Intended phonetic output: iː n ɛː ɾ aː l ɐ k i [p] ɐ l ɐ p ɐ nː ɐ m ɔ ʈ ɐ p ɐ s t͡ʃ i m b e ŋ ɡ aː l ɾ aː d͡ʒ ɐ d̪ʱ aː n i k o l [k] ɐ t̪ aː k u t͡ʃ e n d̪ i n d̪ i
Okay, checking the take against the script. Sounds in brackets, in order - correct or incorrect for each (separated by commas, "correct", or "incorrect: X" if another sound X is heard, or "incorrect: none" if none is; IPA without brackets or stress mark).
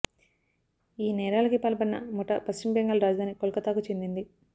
correct, correct